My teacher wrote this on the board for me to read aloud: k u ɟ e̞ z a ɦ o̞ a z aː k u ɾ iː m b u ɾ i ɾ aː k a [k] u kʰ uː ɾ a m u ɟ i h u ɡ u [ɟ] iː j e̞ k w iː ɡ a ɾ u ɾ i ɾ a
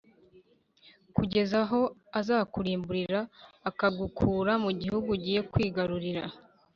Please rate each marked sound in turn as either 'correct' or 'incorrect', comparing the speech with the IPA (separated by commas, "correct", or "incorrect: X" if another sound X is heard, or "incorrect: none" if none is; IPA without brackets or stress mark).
incorrect: ɡ, correct